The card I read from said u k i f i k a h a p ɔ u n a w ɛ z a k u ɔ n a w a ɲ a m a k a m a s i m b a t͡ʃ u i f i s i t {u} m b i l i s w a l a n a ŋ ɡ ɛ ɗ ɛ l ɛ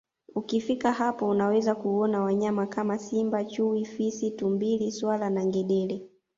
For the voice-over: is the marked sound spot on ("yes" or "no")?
yes